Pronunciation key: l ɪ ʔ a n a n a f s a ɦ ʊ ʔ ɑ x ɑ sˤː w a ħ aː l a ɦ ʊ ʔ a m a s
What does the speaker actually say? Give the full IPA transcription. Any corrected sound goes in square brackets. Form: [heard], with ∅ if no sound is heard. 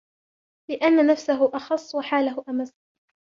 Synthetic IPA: l ɪ ʔ a [nː] a n a f s a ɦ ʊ ʔ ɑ x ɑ sˤː w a ħ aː l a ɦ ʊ ʔ a m a s

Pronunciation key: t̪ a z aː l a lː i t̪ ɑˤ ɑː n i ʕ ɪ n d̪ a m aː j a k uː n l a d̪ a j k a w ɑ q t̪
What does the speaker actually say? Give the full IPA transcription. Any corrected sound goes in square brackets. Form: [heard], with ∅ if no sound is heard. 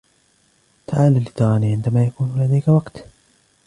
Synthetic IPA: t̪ a [ʕ] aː l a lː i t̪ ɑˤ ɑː n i ʕ ɪ n d̪ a m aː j a k uː n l a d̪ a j k a w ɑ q t̪

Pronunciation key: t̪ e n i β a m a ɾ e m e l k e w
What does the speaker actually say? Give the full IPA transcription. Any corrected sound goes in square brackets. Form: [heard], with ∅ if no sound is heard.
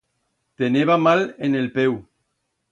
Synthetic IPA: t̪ e n [e] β a m a [l] e [n] e l [p] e w

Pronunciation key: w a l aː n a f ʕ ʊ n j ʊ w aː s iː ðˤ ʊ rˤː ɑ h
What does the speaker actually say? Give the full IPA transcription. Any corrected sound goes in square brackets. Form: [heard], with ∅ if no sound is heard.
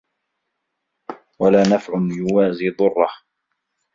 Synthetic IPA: w a l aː n a f ʕ ʊ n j ʊ w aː [z] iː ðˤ ʊ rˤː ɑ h

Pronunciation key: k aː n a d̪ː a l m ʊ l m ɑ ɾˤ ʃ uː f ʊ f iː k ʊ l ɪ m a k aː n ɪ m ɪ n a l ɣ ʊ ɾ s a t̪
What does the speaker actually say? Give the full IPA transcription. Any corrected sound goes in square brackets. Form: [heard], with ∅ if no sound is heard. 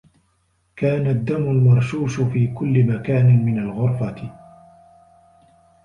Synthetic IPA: k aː n a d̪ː a [∅] m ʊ l m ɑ ɾˤ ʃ uː [ʃ] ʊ f iː k ʊ [lː] ɪ m a k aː n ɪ m ɪ n a l ɣ ʊ ɾ [f] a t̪

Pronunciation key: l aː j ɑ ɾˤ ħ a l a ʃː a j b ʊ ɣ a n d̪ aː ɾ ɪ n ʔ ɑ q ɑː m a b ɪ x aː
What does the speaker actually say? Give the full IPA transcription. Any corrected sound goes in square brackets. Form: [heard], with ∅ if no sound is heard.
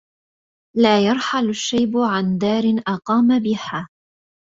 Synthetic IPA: l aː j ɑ ɾˤ ħ a l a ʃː a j b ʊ [ʕ] a n d̪ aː ɾ ɪ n ʔ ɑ q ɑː m a b ɪ [h] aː

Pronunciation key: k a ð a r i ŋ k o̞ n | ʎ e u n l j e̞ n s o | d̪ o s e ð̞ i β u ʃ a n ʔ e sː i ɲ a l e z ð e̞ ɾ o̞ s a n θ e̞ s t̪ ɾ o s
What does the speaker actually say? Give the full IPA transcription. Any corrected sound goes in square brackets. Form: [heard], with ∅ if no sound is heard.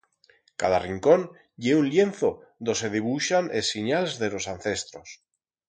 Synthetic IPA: k a ð a r i ŋ k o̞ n | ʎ e u n l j e̞ n [θ] o | d̪ o s e ð̞ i β u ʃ a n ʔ e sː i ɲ a l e z ð e̞ [l] o̞ s a n θ e̞ s t̪ ɾ o s

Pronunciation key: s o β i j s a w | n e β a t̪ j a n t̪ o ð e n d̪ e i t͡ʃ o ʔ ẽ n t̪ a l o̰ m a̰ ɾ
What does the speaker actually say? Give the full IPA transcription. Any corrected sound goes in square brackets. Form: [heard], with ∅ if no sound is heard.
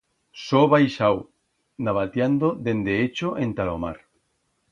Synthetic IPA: s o β [a] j [ʃ] a w | n [a] β a t̪ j a n [d̪] o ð e n d̪ e [e] t͡ʃ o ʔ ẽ n t̪ a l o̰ m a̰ ɾ

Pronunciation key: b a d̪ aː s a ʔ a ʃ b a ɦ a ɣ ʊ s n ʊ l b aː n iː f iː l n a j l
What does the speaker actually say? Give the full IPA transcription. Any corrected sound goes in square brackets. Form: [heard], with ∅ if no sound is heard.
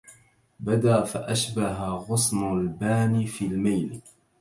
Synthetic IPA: b a d̪ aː [f] a ʔ a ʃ b a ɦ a ɣ ʊ s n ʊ l b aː n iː f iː l [m] a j l

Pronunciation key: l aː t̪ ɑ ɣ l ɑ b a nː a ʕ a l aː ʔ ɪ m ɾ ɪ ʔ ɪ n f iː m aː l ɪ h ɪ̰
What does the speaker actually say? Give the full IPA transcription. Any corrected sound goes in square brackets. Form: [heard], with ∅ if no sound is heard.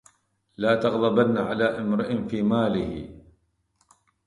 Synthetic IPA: l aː t̪ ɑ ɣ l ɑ b a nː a ʕ a l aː ʔ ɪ m ɾ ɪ ʔ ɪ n f iː m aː l ɪ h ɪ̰

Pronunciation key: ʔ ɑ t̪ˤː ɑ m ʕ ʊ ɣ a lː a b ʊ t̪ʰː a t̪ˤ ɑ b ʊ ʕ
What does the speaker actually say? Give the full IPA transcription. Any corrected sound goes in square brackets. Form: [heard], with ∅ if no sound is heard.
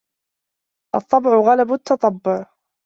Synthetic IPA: ʔ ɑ t̪ˤː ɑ [b] ʕ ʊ ɣ a [l] a b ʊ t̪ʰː [ɑ] t̪ˤ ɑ [bː] ʊ ʕ

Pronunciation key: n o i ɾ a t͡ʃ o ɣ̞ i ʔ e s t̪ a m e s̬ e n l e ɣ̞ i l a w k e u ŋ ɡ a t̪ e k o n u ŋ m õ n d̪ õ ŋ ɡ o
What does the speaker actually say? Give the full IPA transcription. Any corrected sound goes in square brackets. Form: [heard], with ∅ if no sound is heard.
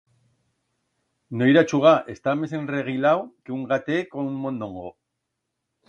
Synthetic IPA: n o i ɾ a t͡ʃ [u] ɣ̞ [a] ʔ e s t̪ a m e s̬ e n [r] e ɣ̞ i l a w k e u ŋ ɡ a t̪ e k o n u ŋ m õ n d̪ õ ŋ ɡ o

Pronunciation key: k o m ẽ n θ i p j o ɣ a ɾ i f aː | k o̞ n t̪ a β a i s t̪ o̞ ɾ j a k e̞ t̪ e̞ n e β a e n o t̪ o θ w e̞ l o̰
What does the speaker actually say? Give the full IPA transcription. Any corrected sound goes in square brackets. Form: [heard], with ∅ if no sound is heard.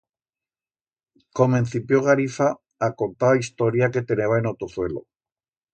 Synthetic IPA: k o m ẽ n θ i p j o ɣ a ɾ i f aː | k o̞ n t̪ a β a i s t̪ o̞ ɾ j a k e̞ t̪ e̞ n e β a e n o t̪ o θ w e̞ l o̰

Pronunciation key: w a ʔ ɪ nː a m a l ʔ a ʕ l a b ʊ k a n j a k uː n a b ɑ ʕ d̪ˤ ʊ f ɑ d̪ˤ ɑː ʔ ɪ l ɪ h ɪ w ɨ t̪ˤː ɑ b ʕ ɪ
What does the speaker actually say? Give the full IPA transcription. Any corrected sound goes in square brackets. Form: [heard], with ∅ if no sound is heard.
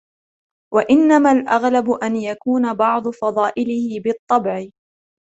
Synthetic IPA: w a ʔ ɪ nː a m a l ʔ a [ɣ] l a b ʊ [ʔ] a n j a k uː n a b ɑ ʕ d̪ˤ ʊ f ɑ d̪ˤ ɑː ʔ ɪ l ɪ h ɪ [b] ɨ t̪ˤː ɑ b ʕ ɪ

